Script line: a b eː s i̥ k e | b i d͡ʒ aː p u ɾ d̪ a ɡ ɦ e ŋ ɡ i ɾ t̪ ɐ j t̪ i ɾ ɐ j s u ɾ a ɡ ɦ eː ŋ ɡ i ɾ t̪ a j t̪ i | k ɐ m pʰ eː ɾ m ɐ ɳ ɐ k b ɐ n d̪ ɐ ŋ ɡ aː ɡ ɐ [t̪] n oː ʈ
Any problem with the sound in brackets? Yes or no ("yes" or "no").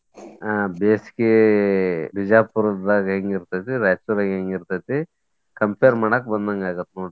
no